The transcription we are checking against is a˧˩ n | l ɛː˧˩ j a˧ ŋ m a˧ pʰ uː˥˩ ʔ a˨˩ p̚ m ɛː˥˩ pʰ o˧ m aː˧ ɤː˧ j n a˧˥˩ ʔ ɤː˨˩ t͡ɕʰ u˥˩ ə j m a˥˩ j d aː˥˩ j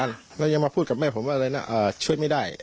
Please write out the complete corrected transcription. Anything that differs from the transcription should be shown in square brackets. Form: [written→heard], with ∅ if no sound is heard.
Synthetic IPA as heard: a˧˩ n | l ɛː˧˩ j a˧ ŋ m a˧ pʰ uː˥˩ [ʔ→k] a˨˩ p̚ m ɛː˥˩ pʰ [o˧→o˩˦] m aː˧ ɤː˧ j n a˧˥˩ ʔ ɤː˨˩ t͡ɕʰ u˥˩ ə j m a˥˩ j d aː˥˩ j